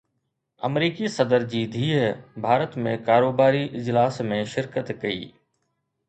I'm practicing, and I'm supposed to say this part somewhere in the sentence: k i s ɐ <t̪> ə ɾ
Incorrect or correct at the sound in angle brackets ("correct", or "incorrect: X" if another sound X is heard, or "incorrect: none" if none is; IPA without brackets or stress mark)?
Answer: incorrect: d̪